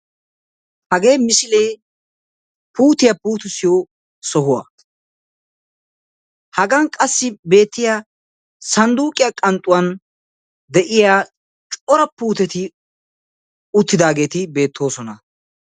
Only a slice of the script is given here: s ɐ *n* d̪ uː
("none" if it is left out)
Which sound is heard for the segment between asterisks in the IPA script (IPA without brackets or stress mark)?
n